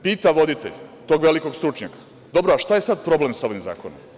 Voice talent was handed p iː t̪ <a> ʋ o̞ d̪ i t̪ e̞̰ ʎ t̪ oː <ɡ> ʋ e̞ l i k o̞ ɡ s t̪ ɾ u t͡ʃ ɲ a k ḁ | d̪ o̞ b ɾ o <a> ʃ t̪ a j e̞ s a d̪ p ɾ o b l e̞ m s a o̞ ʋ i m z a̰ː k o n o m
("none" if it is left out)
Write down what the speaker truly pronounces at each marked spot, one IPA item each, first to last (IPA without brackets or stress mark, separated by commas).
a, ɡ, a